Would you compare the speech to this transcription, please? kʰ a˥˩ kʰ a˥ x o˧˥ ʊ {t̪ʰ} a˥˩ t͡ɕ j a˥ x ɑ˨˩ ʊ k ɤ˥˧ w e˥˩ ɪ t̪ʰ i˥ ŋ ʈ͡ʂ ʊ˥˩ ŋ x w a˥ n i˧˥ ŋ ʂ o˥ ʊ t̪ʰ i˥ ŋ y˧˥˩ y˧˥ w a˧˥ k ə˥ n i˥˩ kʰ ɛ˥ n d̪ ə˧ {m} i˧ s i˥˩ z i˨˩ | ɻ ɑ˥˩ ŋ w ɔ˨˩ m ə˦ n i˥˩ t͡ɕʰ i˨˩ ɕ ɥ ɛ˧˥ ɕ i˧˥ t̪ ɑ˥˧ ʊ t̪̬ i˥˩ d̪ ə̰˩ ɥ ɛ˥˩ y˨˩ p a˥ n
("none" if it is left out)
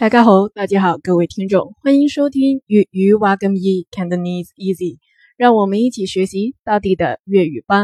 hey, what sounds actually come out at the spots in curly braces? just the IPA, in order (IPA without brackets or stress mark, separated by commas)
t̪, n